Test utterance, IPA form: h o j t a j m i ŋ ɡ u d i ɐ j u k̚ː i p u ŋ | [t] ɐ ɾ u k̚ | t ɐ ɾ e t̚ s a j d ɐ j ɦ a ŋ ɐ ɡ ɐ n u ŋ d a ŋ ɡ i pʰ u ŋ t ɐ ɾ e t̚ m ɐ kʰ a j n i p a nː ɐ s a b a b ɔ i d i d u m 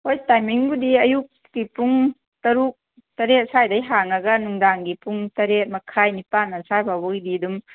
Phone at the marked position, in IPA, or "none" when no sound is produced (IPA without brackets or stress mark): t